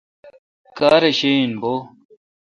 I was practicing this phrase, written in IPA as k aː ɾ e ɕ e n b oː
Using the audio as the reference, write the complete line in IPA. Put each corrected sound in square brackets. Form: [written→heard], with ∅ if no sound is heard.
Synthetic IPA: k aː ɾ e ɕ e n b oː